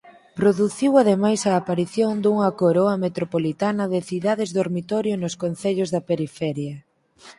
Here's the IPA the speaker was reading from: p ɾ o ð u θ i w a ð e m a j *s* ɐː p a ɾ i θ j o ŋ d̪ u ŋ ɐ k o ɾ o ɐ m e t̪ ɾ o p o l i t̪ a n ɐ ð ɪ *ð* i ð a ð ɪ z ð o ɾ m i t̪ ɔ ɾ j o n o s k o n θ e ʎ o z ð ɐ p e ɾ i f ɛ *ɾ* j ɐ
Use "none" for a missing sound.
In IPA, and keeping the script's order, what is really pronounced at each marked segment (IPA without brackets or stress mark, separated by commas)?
s, θ, ɾ